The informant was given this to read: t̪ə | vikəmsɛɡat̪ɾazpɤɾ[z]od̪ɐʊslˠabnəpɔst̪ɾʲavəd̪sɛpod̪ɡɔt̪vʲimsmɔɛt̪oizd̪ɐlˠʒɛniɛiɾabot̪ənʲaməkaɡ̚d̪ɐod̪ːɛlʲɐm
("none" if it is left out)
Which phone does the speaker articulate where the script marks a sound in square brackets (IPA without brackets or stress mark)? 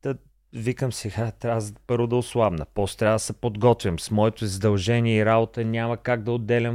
v